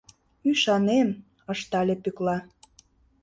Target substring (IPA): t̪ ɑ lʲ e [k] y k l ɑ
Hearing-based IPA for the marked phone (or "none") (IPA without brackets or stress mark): p